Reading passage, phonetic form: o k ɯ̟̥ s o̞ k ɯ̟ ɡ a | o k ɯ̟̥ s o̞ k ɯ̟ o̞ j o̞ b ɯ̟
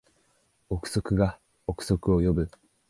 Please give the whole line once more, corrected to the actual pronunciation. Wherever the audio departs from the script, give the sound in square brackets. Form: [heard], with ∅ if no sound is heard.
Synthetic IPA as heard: o k ɯ̟̥ s o̞ k ɯ̟ ɡ a | o k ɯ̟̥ s o̞ k ɯ̟ o̞ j o̞ b ɯ̟